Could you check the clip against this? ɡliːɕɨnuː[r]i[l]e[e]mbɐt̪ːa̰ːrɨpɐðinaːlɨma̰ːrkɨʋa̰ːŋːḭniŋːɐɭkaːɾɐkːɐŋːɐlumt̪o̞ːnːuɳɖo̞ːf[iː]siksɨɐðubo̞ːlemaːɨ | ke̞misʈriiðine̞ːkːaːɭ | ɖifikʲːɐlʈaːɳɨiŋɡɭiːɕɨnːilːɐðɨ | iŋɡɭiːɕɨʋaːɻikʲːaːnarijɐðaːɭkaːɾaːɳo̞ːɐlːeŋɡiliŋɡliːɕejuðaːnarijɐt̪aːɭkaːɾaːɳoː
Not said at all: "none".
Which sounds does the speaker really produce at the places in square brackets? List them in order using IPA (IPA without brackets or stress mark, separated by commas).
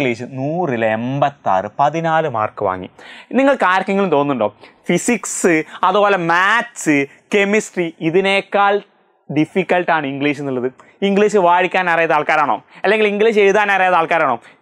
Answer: r, l, e, i